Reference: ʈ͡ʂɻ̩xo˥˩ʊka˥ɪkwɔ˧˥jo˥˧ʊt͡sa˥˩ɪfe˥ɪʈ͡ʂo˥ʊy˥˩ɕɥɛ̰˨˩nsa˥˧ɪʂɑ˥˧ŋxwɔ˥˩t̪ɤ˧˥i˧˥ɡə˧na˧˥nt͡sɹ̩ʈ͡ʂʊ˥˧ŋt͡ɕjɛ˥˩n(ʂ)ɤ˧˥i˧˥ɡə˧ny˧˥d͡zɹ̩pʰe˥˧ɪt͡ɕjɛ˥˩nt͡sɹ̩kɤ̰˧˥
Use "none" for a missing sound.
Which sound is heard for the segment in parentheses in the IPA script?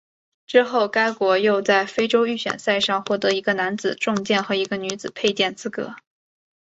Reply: x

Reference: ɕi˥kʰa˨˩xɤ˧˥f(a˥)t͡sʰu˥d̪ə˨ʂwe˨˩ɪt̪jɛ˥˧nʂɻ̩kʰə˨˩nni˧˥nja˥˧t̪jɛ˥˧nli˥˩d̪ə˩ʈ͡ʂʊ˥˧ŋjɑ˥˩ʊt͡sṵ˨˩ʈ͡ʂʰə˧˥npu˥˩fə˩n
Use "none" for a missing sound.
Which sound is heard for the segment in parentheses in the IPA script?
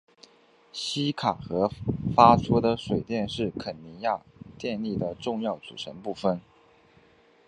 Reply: a˥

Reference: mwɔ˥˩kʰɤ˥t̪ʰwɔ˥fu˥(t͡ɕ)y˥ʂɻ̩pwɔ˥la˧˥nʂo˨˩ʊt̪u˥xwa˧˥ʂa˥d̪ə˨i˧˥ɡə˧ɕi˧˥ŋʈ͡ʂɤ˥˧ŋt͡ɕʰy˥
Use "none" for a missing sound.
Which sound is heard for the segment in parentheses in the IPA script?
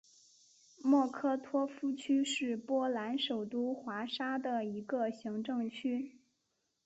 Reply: t͡ɕʰ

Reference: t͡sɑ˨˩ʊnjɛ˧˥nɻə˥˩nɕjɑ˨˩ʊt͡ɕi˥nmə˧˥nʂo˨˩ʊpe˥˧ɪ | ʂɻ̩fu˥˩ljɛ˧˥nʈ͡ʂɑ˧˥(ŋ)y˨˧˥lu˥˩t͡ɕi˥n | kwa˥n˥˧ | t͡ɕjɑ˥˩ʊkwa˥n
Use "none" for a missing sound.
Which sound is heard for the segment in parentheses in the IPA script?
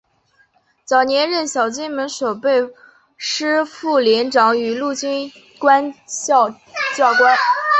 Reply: ŋ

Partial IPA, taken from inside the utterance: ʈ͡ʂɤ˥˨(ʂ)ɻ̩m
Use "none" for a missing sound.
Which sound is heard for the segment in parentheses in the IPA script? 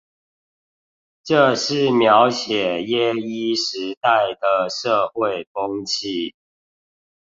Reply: ʂ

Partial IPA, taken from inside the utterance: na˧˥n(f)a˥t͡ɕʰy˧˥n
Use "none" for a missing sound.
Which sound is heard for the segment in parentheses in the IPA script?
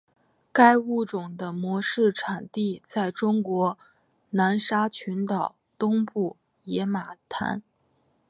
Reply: ʂ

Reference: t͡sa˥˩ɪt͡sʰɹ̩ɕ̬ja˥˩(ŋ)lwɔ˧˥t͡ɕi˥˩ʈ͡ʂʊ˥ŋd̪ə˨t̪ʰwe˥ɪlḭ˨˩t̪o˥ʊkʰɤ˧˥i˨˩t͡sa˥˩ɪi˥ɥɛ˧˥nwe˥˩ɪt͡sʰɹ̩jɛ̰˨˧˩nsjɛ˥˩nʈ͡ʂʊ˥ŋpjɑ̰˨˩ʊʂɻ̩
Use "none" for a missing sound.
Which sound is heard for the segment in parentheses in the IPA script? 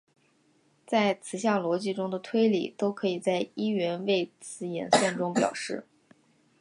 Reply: ŋ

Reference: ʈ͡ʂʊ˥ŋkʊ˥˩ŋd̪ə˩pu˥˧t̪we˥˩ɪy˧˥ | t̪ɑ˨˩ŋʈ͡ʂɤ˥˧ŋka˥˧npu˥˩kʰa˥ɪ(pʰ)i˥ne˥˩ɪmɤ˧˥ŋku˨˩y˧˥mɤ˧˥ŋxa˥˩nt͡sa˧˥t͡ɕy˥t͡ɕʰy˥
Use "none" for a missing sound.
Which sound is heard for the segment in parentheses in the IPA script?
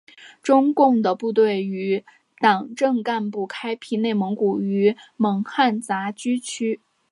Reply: pʰ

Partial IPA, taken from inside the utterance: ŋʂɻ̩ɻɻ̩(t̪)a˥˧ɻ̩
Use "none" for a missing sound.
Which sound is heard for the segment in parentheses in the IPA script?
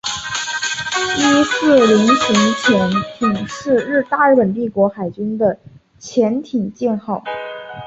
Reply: t̪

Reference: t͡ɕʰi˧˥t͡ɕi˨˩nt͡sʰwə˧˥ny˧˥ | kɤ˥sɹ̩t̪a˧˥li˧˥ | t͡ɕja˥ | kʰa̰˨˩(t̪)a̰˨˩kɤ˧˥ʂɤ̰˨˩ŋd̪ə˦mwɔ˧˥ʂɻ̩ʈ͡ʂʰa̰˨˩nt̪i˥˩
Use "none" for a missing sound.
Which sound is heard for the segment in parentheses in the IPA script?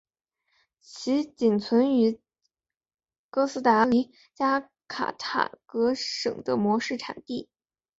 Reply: t̪ʰ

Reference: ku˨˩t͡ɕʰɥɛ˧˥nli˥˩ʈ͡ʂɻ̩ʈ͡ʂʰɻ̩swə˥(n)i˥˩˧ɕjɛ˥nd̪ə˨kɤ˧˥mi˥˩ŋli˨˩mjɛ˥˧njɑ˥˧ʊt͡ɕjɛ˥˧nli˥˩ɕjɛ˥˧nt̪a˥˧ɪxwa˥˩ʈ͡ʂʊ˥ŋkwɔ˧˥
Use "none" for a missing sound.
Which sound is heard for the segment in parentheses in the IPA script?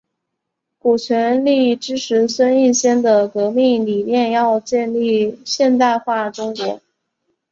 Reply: n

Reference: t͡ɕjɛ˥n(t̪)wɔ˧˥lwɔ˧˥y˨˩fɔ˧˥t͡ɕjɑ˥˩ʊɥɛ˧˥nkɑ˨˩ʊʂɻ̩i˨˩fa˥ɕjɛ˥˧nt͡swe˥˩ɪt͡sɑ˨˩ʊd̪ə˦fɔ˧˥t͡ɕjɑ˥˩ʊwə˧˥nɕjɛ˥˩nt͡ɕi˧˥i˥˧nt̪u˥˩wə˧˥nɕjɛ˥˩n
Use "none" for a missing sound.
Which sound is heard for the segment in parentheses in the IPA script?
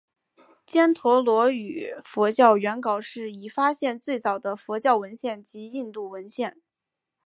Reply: t̪ʰ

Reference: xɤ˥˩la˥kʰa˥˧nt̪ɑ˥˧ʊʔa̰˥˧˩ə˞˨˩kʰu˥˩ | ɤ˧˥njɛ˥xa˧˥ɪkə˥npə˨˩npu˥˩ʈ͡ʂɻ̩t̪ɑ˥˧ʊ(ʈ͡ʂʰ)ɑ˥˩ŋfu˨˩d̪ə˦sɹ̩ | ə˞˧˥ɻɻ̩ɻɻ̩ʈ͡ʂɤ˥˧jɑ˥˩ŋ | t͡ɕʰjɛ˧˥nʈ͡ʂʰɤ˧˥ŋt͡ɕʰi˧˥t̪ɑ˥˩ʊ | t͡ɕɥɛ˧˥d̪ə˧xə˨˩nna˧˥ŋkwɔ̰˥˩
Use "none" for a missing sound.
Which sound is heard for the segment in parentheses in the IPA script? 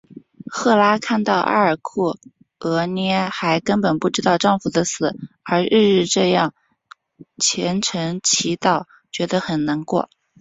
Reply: ʈ͡ʂ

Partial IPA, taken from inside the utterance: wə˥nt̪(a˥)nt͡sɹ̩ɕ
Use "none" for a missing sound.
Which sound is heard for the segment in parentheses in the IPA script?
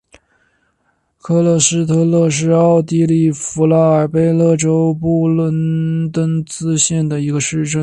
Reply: ə˥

